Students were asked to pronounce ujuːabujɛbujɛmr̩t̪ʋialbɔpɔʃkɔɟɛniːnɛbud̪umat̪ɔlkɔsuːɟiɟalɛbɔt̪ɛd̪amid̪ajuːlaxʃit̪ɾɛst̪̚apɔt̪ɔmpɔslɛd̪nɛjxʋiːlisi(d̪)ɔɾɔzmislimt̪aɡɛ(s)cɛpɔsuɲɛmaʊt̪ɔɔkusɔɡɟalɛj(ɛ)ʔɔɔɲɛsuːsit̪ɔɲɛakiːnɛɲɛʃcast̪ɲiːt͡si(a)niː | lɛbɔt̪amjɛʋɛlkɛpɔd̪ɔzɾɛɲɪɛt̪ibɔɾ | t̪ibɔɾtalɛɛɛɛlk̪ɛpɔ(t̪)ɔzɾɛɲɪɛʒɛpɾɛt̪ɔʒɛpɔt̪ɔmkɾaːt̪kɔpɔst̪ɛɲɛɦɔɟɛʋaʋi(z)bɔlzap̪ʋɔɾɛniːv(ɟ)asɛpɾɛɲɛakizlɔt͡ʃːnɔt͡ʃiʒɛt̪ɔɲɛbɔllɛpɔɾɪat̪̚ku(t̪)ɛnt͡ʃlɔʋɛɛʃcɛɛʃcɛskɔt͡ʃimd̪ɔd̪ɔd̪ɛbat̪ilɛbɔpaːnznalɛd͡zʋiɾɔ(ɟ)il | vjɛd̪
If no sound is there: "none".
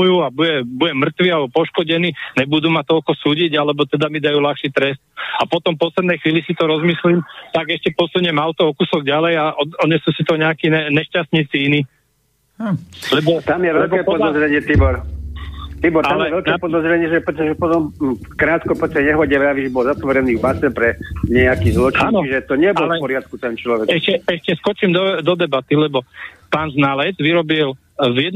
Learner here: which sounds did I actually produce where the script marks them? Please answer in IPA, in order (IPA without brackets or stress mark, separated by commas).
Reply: t̪, ʃ, a, i, d̪, ʒ, b, t̪, b